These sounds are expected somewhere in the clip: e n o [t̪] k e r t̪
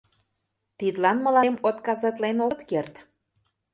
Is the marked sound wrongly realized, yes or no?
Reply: no